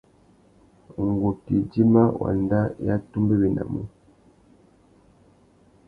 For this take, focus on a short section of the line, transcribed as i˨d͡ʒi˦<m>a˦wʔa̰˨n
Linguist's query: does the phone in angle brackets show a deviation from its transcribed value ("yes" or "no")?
no